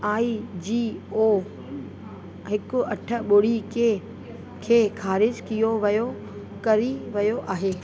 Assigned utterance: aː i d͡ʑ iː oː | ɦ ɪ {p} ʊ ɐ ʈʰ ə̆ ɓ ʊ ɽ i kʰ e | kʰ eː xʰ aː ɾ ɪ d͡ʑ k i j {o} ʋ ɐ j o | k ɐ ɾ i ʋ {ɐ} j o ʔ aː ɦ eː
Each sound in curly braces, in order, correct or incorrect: incorrect: k, correct, correct

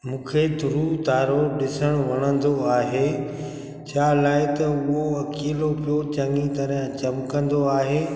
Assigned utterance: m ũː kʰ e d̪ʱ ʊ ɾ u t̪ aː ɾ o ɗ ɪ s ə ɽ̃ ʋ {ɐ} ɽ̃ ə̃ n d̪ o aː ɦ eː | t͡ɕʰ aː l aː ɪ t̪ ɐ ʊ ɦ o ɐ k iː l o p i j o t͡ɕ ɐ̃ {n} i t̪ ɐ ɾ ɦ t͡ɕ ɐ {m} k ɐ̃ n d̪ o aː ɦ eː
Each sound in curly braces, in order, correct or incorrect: correct, incorrect: ŋ, correct

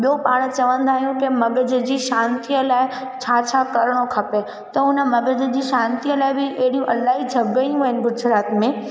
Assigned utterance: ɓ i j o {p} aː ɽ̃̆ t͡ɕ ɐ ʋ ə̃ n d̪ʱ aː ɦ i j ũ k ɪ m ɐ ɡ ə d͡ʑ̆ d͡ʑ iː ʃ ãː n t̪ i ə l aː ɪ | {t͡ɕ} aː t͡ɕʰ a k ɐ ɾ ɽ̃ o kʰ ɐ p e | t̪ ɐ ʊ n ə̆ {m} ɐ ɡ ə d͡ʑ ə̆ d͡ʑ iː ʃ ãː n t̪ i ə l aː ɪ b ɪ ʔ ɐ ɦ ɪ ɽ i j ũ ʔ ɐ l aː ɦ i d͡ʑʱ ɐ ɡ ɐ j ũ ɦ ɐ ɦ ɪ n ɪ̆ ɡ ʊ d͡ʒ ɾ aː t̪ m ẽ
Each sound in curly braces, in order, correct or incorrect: correct, incorrect: t͡ɕʰ, correct

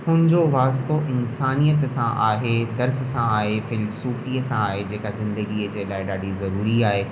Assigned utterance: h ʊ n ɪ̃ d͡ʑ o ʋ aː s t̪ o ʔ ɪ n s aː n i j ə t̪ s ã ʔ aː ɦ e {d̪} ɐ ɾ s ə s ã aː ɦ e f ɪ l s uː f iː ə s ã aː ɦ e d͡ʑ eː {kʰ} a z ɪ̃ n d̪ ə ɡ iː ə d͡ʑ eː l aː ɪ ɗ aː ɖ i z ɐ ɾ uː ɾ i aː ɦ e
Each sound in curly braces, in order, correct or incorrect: correct, incorrect: k

